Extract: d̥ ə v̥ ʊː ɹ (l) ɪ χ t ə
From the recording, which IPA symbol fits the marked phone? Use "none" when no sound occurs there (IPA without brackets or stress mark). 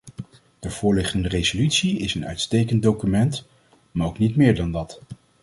l